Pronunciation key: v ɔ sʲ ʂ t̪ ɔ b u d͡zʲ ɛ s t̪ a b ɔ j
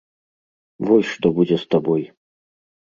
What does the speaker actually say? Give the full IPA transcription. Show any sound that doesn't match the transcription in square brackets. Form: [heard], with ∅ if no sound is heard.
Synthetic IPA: v ɔ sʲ ʂ t̪ ɔ b u d͡zʲ ɛ s t̪ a b ɔ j